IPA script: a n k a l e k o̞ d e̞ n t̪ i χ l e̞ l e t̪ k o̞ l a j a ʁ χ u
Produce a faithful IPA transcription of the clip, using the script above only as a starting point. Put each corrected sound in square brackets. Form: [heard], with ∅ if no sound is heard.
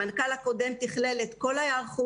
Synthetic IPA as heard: a n k a l [a] k o̞ d e̞ [m] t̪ i χ l e̞ l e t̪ k o̞ l a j a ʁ χ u